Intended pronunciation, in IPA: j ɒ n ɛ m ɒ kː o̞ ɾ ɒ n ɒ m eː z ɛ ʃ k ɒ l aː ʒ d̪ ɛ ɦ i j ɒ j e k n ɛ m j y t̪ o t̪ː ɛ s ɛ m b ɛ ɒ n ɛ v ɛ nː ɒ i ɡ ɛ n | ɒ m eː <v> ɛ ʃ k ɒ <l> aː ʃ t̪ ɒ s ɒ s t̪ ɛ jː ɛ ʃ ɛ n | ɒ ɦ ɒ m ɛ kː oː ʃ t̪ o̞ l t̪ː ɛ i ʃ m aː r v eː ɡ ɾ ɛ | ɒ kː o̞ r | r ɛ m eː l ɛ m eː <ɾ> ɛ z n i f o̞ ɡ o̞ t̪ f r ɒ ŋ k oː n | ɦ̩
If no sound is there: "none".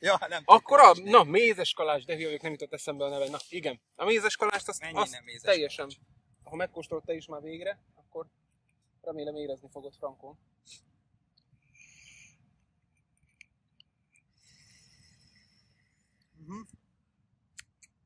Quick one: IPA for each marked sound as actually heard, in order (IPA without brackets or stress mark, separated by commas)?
z, l, ɾ